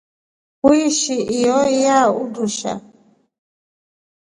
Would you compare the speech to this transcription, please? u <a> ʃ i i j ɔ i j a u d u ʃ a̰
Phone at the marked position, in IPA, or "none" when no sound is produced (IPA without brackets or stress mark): i